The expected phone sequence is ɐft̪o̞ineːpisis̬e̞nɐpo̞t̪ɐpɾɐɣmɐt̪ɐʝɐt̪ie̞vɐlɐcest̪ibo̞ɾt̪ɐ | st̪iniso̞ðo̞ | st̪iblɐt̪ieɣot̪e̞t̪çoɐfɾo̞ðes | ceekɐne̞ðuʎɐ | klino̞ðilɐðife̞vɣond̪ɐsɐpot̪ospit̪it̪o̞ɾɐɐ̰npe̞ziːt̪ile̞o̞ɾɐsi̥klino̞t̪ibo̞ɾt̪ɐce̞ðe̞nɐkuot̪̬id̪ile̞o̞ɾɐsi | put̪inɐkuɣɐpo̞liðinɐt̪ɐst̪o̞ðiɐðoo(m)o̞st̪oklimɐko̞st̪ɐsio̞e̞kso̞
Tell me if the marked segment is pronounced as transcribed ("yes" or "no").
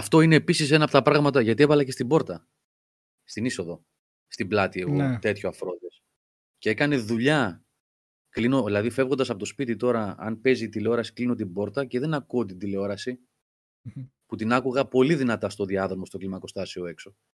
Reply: yes